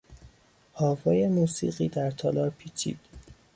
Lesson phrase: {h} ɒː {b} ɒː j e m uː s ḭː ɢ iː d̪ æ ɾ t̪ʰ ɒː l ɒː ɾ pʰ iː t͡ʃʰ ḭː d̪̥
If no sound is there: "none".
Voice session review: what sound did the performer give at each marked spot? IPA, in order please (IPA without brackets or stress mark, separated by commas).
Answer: h, v